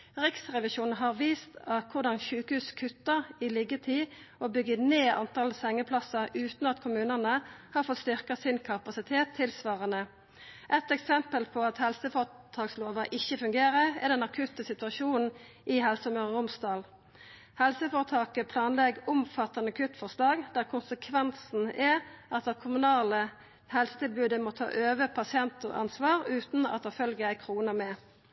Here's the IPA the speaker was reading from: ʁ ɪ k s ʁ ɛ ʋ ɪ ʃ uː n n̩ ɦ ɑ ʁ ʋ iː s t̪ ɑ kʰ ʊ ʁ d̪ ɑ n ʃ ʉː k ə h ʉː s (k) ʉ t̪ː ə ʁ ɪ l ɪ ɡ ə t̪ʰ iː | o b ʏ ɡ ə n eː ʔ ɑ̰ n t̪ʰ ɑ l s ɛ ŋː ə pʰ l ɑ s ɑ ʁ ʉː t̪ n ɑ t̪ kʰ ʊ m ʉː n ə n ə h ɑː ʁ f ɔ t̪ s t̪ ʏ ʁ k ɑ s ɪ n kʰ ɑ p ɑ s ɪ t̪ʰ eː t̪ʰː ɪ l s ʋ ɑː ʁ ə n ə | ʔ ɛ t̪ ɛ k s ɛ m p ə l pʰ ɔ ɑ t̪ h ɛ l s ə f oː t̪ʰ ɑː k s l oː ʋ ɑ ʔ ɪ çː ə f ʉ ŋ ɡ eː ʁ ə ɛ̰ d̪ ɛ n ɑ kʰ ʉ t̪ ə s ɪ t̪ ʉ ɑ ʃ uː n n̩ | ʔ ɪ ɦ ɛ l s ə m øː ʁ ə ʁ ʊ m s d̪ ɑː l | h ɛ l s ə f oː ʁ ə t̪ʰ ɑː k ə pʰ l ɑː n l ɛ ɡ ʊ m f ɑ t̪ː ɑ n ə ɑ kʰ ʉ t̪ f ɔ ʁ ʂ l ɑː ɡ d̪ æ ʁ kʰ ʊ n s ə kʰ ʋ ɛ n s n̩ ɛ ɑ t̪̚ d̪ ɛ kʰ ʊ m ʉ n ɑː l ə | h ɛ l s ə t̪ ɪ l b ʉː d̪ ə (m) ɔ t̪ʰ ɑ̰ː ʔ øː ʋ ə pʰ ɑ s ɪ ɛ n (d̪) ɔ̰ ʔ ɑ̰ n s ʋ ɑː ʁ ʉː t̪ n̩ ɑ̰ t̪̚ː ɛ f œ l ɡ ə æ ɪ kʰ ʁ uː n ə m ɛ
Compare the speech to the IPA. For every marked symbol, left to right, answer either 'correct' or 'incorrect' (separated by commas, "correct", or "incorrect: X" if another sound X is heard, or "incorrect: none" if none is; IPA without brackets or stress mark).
incorrect: kʰ, correct, incorrect: t̪